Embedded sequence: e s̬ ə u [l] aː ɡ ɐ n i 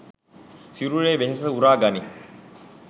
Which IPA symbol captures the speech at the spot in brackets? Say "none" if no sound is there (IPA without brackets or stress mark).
ɾ